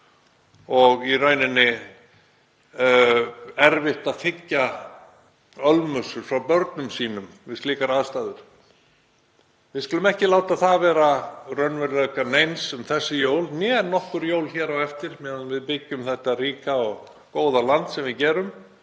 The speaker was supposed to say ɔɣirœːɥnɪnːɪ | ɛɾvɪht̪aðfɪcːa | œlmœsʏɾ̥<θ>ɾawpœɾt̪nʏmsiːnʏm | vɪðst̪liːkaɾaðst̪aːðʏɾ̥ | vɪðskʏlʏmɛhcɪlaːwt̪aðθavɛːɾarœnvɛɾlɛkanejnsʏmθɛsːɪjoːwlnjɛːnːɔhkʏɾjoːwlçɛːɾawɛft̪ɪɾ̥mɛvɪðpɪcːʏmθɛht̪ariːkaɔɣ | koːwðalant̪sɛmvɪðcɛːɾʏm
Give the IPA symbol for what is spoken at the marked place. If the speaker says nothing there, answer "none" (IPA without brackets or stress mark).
f